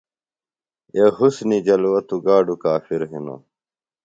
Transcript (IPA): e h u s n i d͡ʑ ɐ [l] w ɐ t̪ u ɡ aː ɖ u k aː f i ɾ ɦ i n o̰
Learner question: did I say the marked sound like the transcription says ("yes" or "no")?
yes